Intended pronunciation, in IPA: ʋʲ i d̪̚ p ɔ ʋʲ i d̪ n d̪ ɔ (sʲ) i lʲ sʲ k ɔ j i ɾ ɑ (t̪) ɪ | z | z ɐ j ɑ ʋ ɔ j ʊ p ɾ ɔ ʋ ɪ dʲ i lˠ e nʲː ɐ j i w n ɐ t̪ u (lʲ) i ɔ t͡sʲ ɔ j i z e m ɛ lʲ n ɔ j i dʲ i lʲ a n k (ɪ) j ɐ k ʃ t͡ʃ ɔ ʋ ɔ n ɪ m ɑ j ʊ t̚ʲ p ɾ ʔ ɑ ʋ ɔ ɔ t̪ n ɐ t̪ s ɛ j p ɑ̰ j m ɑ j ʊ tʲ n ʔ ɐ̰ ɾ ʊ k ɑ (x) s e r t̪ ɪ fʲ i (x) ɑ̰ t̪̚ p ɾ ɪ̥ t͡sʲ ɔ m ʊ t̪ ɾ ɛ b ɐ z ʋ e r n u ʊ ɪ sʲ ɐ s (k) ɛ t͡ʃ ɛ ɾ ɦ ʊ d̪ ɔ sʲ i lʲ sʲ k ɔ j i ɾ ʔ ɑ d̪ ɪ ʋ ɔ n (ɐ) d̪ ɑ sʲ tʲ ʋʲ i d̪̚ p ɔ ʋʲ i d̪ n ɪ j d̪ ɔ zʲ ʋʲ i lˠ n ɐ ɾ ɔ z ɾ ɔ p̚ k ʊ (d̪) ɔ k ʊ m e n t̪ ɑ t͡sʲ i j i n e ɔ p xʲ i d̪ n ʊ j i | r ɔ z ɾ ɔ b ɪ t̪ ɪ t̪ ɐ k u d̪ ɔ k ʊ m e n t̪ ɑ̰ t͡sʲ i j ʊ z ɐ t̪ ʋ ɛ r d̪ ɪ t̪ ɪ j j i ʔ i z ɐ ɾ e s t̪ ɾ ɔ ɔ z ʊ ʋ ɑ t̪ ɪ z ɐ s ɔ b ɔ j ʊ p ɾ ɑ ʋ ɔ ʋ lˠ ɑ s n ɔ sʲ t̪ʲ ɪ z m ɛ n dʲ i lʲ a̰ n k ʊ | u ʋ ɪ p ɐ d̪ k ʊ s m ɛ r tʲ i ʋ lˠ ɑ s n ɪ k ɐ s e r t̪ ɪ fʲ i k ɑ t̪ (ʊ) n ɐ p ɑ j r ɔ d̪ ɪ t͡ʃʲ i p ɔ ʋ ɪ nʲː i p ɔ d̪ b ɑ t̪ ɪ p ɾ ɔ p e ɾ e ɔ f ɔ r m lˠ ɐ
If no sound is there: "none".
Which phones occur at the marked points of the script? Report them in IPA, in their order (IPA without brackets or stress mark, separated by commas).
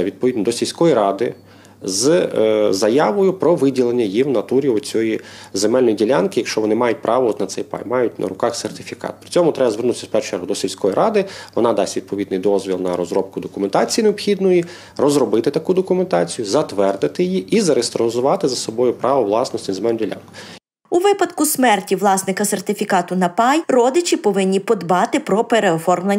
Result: sʲ, d̪, ɾʲ, ɪ, x, k, p, ɑ, d̪, ʊ